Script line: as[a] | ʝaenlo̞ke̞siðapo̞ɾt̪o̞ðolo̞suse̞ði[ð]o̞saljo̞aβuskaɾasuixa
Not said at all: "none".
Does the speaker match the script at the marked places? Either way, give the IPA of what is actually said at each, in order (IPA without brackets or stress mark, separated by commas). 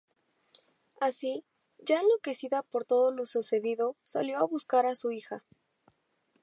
i, ð